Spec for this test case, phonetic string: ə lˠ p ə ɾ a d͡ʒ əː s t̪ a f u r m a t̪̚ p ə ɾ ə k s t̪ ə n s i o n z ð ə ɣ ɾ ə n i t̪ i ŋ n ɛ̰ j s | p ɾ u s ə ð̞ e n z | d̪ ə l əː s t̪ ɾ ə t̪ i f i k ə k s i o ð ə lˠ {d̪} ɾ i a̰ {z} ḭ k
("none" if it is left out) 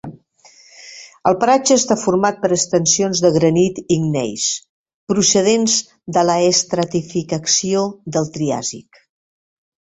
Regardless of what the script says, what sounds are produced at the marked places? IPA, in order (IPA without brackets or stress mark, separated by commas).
t̪, z